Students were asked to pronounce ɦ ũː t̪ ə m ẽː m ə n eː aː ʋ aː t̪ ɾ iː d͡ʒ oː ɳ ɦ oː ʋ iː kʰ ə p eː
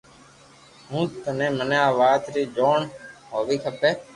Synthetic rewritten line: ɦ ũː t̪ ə n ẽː m ə n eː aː ʋ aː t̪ ɾ iː d͡ʒ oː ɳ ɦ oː ʋ iː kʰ ə p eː